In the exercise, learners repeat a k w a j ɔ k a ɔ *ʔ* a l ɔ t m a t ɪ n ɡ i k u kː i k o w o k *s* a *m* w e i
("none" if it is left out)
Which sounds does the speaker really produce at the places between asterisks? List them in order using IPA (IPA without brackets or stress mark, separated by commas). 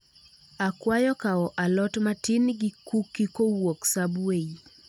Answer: ʔ, s, b